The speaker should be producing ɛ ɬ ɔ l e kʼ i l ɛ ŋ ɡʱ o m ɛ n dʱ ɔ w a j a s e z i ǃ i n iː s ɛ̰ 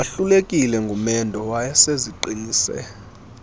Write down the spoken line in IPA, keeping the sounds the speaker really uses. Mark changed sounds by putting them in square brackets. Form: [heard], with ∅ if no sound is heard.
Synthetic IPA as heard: [a] ɬ [u] l e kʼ i l ɛ ŋ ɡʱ [u] m ɛ n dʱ ɔ w a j a s e z i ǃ i n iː s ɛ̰